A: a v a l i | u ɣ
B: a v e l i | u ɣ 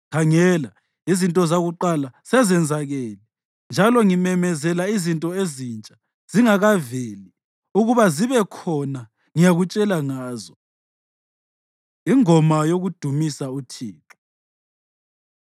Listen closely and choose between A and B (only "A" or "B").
B